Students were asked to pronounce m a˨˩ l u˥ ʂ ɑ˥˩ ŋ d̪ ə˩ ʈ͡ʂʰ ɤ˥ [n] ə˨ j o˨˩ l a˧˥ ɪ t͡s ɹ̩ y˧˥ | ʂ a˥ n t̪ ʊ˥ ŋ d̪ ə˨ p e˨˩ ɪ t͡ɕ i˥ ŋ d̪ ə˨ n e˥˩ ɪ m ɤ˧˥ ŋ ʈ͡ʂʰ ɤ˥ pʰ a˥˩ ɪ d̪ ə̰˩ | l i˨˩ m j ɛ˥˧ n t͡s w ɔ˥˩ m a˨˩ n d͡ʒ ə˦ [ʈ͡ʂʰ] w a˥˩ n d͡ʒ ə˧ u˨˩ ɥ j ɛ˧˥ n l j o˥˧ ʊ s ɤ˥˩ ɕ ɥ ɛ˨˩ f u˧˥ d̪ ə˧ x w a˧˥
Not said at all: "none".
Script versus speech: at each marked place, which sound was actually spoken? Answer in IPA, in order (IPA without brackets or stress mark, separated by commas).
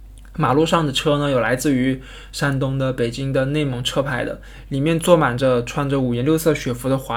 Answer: n, ʈ͡ʂʰ